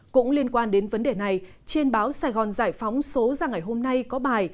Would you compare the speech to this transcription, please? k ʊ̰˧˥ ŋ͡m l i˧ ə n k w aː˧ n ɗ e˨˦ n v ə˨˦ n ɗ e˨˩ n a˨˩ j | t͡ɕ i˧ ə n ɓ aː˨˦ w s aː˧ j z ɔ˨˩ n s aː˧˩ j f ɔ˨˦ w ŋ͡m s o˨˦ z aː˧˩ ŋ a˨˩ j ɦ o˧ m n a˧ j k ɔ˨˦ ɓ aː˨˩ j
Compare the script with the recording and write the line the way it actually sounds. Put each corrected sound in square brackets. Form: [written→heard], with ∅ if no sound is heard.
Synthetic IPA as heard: k ʊ̰˧˥ ŋ͡m l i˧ ə n k w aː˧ n ɗ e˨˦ n v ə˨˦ n ɗ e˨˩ n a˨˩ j | t͡ɕ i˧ ə n ɓ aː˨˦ w s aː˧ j [z→ɣ] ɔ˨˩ n [s→z] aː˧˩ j f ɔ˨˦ w ŋ͡m s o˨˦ z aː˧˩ ŋ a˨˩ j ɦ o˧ m n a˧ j k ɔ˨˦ ɓ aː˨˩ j